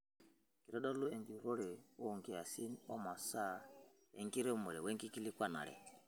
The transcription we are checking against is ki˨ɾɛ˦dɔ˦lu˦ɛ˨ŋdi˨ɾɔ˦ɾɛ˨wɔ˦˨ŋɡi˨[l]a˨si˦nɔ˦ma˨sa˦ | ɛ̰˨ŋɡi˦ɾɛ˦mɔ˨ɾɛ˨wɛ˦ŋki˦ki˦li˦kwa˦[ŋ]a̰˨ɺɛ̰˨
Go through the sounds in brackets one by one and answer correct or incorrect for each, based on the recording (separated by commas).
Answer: incorrect, incorrect